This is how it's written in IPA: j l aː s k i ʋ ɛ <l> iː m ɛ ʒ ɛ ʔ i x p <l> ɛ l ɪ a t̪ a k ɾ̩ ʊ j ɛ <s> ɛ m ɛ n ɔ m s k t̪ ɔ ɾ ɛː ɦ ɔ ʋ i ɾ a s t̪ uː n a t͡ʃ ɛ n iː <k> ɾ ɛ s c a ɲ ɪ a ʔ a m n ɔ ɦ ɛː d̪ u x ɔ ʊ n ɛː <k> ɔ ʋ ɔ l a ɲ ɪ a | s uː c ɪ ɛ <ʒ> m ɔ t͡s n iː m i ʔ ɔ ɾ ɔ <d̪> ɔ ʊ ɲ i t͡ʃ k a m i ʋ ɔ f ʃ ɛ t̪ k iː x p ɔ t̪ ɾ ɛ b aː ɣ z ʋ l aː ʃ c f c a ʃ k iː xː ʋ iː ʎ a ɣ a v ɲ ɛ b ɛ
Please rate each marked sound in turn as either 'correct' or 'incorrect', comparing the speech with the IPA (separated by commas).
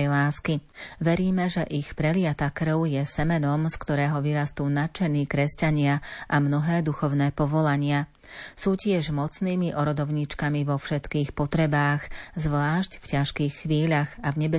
incorrect, incorrect, correct, correct, incorrect, correct, correct